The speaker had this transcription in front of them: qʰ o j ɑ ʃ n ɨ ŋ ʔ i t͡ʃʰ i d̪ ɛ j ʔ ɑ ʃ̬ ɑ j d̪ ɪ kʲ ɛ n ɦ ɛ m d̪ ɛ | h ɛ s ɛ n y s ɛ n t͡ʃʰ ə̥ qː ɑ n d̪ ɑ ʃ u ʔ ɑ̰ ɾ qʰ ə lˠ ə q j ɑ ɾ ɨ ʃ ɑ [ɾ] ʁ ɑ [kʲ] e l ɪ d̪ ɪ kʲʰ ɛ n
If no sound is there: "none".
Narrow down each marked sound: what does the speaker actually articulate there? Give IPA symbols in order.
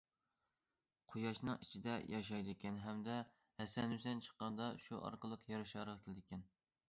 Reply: ɾ, kʲ

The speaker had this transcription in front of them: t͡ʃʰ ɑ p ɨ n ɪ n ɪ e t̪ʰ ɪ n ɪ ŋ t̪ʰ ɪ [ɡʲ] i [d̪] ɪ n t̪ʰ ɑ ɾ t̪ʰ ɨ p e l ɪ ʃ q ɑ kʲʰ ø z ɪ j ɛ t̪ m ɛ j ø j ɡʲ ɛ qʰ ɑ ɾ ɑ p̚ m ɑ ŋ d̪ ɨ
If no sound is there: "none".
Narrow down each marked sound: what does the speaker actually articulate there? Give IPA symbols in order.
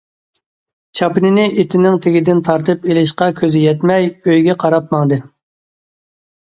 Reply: ɡʲ, d̪

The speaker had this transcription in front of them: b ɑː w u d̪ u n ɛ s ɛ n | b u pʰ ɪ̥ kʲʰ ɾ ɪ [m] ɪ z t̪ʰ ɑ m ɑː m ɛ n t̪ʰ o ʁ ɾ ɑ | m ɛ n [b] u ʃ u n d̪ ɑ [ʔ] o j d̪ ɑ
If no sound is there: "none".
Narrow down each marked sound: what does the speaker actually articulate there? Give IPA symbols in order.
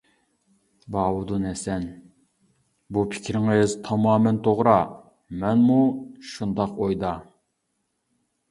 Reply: ŋ, m, q

